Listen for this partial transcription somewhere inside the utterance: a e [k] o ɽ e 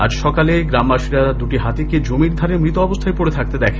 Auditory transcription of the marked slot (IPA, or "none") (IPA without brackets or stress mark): p